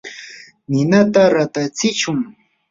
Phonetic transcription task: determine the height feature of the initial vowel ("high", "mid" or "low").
high